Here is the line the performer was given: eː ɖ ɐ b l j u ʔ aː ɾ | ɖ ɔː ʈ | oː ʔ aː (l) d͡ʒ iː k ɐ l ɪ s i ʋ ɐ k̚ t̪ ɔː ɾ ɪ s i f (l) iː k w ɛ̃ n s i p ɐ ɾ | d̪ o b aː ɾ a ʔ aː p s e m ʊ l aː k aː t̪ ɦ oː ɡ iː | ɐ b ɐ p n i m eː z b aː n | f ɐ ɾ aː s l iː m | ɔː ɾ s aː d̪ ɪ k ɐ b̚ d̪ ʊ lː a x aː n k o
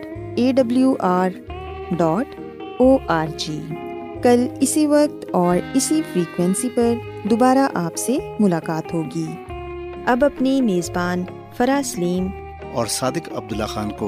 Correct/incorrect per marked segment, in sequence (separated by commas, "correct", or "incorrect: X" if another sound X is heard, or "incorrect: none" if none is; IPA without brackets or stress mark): incorrect: ɾ, incorrect: ɾ